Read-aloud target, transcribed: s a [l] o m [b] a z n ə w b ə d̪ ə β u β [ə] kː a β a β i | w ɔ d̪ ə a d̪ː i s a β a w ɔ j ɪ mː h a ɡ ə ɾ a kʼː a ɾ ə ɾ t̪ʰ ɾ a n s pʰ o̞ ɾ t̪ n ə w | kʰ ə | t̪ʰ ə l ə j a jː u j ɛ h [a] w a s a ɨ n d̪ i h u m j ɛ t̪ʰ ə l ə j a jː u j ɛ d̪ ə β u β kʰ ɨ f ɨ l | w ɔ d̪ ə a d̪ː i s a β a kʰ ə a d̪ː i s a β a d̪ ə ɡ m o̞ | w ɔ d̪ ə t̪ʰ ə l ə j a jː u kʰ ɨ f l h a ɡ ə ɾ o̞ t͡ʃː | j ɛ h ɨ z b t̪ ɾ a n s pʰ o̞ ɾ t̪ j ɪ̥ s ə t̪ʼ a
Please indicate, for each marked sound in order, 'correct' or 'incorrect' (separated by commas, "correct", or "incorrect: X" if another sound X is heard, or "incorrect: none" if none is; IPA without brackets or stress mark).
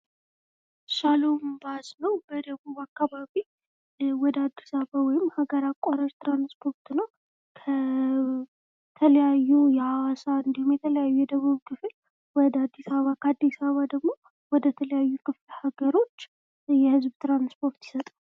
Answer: correct, correct, incorrect: a, correct